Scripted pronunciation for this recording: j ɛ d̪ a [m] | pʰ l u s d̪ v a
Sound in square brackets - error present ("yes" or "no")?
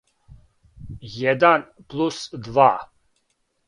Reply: yes